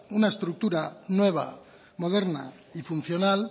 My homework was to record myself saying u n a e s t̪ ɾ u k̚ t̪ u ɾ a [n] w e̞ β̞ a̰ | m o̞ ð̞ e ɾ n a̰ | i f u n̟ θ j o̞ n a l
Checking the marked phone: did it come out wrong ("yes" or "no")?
no